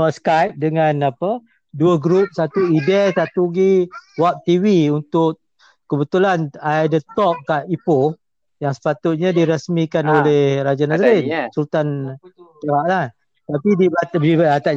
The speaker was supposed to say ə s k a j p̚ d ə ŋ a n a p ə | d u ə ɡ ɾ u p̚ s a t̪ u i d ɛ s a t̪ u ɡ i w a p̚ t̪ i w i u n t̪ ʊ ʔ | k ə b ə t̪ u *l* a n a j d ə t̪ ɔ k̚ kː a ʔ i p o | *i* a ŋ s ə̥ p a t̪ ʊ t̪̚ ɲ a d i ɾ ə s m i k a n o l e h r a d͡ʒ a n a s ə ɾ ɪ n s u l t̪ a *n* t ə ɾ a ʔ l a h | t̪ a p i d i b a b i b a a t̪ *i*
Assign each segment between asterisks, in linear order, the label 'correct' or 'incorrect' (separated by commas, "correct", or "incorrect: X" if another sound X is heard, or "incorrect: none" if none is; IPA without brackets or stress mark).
correct, incorrect: j, correct, incorrect: a